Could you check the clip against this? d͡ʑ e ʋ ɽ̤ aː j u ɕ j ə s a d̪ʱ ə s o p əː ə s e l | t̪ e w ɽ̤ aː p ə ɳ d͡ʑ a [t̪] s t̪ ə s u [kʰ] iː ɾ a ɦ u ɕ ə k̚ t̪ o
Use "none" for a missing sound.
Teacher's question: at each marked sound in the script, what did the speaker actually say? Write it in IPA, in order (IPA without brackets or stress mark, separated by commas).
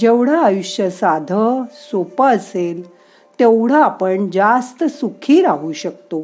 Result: none, kʰ